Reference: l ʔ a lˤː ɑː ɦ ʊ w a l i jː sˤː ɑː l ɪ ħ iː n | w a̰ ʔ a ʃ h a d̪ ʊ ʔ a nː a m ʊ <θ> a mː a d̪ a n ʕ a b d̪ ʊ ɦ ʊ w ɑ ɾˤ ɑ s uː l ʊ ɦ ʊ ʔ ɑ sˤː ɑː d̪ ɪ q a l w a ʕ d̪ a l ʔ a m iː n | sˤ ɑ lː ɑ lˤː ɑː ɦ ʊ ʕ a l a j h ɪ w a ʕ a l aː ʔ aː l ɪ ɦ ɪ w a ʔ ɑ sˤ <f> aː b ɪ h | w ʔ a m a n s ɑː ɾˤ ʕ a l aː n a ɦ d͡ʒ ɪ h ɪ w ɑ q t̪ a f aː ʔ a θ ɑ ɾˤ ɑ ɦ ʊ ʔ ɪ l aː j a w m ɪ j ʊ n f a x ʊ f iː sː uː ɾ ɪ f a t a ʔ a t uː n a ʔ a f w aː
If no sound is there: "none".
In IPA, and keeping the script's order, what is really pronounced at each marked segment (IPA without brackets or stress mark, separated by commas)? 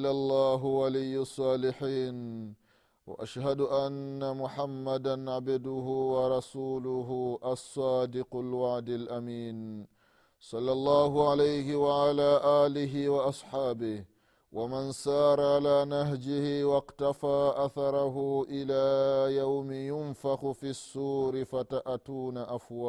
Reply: ħ, ħ